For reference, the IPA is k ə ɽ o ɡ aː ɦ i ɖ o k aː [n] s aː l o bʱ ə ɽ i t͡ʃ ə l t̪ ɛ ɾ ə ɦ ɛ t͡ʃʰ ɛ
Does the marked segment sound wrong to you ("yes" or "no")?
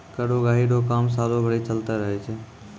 yes